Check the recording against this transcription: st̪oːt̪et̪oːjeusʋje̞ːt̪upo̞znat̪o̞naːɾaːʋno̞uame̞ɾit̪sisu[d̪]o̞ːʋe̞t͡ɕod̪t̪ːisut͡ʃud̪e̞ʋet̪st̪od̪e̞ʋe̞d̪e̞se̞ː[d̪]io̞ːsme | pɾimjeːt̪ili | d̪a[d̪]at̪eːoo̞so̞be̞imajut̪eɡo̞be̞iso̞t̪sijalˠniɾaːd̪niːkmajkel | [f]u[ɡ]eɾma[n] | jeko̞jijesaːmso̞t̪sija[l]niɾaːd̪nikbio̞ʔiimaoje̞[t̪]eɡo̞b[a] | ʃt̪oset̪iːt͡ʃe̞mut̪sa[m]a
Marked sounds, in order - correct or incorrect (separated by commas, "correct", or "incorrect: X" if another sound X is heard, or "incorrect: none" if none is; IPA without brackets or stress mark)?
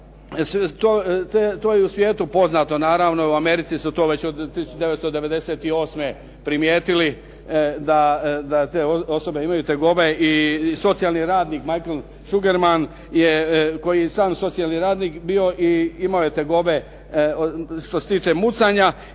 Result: incorrect: t̪, incorrect: t̪, correct, incorrect: ʃ, correct, correct, correct, correct, incorrect: e, incorrect: ɲ